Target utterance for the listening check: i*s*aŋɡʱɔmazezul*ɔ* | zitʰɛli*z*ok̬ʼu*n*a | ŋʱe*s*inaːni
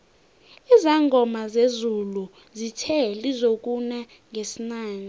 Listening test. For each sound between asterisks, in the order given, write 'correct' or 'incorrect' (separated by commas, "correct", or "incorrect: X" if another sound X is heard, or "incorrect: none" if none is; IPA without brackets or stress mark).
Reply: incorrect: z, incorrect: u, correct, correct, correct